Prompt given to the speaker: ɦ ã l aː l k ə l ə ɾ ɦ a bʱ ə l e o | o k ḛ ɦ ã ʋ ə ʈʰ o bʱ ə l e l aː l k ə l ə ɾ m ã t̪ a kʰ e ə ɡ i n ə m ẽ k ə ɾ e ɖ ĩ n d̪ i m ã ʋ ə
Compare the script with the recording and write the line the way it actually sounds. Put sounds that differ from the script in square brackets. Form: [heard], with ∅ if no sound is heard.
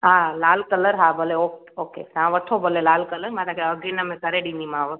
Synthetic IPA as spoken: ɦ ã l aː l k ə l ə ɾ ɦ a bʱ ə l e o | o k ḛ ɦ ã ʋ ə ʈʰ o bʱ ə l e l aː l k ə l ə ɾ m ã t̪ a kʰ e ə ɡ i n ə m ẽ k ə ɾ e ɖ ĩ n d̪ i m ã ʋ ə